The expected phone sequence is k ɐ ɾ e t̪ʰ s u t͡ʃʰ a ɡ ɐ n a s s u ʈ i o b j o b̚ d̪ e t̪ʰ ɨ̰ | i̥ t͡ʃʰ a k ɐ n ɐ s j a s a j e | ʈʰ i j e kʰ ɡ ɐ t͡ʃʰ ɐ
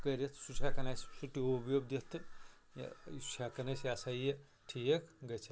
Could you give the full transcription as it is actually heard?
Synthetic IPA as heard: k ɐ ɾ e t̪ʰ s u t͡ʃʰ a k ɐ n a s s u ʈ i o b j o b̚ d̪ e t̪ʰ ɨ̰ | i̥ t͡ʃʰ a k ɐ n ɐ s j a s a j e | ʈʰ i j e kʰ ɡ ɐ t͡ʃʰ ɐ